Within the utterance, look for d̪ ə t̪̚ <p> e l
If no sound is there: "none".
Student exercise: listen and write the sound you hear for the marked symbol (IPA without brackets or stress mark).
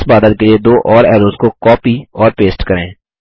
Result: k